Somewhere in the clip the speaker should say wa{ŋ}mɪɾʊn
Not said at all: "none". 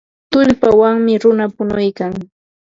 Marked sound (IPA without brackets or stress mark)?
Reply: ŋ